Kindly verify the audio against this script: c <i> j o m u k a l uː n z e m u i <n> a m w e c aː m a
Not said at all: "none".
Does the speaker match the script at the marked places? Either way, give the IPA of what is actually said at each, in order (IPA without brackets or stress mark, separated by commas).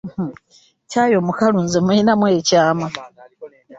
a, n